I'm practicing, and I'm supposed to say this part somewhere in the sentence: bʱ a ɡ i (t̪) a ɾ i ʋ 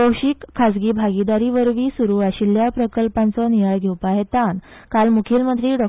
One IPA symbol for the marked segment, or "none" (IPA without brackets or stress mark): d̪